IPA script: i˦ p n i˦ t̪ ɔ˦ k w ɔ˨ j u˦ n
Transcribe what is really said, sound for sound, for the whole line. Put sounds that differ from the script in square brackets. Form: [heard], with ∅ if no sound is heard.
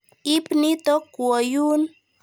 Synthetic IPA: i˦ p n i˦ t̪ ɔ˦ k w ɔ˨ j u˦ n